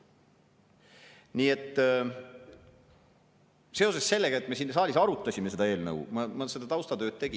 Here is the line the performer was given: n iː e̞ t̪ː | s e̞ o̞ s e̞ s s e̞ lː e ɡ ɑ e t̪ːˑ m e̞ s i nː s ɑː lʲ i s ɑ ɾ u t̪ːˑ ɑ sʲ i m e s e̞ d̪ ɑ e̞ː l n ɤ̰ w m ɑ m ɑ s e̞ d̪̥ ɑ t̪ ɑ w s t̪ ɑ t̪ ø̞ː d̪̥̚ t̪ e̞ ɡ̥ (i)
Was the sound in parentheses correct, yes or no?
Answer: yes